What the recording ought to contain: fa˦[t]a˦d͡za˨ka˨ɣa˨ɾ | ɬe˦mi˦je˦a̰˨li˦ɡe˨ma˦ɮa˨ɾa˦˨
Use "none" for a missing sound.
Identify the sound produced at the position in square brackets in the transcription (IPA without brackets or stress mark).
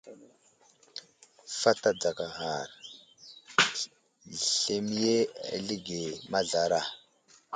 t